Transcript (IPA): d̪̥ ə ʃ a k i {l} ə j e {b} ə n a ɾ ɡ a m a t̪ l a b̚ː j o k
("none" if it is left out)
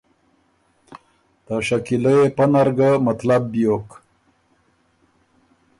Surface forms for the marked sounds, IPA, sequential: l, p

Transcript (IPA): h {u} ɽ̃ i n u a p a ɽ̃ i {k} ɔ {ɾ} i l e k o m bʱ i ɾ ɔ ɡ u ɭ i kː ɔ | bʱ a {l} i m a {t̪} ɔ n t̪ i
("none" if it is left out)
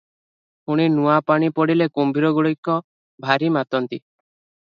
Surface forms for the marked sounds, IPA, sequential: u, p, ɽ, ɾ, t̪

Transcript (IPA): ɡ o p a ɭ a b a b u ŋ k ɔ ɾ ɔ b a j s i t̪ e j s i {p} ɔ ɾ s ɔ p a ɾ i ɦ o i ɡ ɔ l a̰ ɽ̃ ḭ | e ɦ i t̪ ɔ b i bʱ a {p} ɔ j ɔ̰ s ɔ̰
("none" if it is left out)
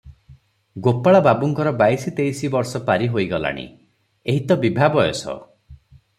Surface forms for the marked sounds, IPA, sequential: b, b

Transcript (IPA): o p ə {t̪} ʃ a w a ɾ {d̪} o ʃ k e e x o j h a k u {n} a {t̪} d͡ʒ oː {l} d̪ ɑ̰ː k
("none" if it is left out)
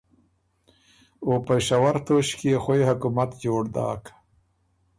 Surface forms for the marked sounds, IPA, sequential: none, t̪, m, t̪, ɽ

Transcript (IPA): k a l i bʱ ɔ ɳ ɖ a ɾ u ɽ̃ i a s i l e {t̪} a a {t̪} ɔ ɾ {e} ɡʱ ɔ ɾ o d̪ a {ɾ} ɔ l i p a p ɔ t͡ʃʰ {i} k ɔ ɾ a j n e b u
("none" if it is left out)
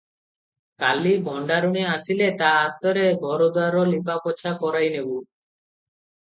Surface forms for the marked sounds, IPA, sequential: t̪, t̪, e, ɾ, a

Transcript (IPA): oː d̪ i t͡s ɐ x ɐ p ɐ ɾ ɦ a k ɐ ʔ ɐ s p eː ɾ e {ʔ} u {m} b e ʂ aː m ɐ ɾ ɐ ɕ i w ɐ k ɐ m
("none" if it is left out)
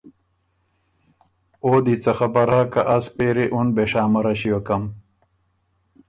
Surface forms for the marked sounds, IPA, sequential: ʔ, n

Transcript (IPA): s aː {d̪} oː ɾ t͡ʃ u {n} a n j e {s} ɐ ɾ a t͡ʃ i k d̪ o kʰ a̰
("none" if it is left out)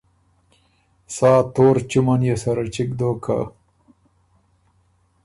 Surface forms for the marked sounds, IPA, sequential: t̪, m, s

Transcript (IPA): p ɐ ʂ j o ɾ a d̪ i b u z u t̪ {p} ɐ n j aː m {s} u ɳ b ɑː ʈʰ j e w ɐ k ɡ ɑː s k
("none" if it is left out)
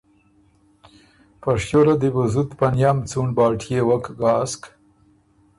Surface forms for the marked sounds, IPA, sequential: p, t͡s

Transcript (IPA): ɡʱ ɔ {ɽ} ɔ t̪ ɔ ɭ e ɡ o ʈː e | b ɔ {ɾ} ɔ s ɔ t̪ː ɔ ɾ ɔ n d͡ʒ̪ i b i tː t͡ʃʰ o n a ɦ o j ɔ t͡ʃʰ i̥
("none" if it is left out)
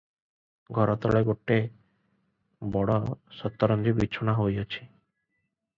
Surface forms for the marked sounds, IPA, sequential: ɾ, ɽ

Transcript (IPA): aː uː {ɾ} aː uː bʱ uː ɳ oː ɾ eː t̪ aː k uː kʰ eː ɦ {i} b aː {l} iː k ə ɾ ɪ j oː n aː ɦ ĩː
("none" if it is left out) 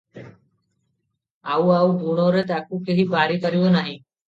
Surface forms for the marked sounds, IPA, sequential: none, iː, ɾ

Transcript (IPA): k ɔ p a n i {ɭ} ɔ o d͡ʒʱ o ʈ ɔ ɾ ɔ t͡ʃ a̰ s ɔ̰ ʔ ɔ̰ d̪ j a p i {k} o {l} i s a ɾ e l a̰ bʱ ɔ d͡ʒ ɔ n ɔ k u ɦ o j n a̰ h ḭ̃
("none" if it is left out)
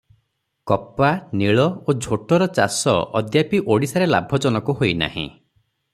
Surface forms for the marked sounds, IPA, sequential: ɭ, ʔ, ɽ

